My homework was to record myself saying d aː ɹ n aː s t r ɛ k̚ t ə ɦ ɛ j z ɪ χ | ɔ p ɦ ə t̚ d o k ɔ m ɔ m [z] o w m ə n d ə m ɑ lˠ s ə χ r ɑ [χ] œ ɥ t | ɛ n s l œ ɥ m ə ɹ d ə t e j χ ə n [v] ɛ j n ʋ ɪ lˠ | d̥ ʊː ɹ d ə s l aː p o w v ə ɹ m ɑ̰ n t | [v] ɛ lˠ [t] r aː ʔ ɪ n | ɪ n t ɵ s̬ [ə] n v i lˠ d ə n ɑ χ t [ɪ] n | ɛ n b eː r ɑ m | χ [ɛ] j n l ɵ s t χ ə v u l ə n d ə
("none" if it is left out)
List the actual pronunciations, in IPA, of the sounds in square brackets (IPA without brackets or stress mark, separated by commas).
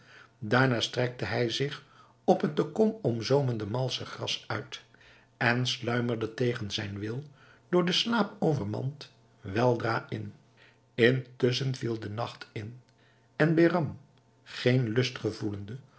z, s, z, ʋ, d, ə, ɪ, e